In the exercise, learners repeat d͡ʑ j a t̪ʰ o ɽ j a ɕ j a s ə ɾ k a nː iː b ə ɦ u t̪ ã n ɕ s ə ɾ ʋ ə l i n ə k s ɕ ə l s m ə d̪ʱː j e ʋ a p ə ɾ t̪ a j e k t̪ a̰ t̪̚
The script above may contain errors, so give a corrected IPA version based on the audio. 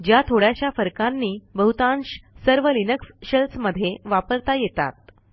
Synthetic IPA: d͡ʑ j a t̪ʰ o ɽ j a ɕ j a f ə ɾ k a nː iː b ə ɦ u t̪ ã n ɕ s ə ɾ ʋ ə l i n ə k s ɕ ə l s m ə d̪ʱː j e ʋ a p ə ɾ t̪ a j e t̪ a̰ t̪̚